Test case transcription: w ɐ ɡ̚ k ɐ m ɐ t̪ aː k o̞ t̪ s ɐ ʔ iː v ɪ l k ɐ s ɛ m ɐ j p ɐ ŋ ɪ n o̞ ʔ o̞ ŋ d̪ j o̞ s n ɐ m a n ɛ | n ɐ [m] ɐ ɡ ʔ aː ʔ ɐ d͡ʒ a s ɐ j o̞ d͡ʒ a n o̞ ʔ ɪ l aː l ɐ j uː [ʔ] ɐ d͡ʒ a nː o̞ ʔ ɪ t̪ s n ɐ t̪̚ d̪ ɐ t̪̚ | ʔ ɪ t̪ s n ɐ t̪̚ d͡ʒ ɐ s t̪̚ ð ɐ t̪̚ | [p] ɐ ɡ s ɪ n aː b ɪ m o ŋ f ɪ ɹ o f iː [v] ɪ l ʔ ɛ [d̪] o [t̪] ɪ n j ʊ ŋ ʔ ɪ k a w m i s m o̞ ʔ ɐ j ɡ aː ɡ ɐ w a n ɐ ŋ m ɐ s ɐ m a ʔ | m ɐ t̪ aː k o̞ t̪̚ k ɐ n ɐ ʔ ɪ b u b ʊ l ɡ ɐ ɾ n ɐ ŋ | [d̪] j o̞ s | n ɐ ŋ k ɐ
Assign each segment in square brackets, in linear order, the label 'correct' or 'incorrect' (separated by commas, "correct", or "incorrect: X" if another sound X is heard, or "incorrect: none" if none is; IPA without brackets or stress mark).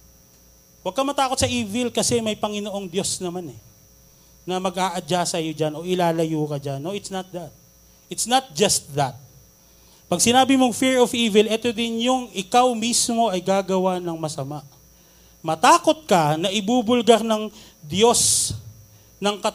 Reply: correct, incorrect: k, correct, correct, incorrect: t̪, incorrect: d̪, correct